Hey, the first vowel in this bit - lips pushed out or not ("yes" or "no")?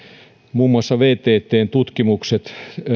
yes